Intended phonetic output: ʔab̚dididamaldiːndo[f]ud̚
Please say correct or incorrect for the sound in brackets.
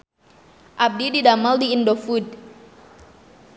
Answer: correct